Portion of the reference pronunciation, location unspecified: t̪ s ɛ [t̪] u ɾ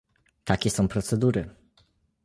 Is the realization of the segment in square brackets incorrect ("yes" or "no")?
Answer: yes